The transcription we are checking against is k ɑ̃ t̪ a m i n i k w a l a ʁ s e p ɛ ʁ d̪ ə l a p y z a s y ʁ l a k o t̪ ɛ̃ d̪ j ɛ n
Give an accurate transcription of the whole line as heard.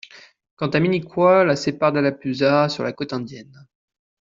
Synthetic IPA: k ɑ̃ t̪ a m i n i k w a l a s e p a ʁ d̪ a l a p y z a s y ʁ l a k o t̪ ɛ̃ d̪ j ɛ n

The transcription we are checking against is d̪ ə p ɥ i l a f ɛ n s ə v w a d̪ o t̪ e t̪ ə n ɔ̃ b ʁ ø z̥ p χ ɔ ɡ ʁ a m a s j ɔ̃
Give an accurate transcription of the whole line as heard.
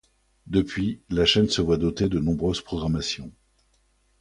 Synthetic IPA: d̪ ə p ɥ i l a ʃ ɛ n s ə v w a d̪ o t̪ e d̪ ə n ɔ̃ b ʁ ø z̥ p χ ɔ ɡ ʁ a m a s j ɔ̃

